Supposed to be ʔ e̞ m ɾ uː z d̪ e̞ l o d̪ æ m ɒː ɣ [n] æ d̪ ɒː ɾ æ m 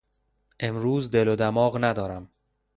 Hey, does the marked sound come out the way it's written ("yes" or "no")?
yes